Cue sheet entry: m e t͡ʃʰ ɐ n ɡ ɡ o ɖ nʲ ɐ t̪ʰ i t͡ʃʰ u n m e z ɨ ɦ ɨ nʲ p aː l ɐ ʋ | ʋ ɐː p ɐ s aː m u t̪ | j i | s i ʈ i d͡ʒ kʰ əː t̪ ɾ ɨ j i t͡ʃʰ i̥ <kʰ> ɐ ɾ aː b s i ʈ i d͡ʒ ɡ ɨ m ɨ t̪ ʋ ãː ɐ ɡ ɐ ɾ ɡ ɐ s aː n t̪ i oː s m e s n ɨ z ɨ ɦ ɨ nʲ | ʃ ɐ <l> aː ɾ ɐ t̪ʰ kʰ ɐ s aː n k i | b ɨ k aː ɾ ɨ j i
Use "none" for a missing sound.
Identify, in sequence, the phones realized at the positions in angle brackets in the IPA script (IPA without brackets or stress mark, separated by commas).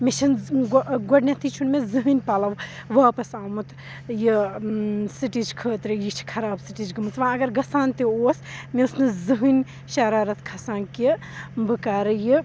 kʰ, ɾ